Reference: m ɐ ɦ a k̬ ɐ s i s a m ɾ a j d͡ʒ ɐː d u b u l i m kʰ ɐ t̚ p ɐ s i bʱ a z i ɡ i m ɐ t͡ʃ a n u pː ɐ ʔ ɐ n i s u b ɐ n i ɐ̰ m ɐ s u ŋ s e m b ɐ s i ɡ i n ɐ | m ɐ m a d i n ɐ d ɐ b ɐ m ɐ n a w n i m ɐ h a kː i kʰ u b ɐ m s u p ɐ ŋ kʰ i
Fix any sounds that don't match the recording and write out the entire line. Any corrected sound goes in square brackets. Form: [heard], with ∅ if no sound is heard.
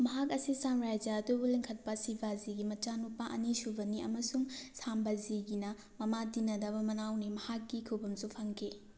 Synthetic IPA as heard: m ɐ ɦ a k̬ ɐ s i s a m ɾ a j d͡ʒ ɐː d u b u l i [ŋ] kʰ ɐ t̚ p ɐ s i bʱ a z i ɡ i m ɐ t͡ʃ a n u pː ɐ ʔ ɐ n i s u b ɐ n i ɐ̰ m ɐ s u ŋ s [a] m b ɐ [z] i ɡ i n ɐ | m ɐ m a d i n ɐ d ɐ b ɐ m ɐ n a w n i m ɐ h a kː i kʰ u b ɐ m s u [pʰ] ɐ ŋ kʰ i